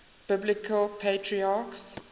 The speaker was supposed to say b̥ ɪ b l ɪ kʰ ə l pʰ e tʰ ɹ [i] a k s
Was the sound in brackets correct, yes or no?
yes